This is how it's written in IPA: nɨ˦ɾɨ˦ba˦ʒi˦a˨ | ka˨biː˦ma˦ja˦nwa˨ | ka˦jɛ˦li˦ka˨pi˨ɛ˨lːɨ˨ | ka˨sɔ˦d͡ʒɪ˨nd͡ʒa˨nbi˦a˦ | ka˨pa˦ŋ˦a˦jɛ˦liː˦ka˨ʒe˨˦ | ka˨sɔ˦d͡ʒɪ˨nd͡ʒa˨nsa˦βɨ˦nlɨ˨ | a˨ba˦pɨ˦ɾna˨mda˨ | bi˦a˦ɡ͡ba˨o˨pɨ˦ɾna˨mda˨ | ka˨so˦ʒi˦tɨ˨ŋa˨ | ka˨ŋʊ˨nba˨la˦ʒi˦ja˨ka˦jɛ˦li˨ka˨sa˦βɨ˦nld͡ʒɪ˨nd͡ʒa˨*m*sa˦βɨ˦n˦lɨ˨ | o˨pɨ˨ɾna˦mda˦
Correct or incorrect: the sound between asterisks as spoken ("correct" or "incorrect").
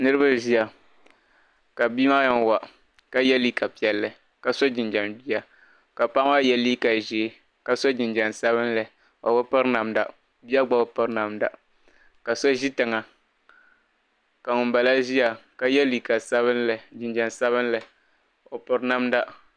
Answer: incorrect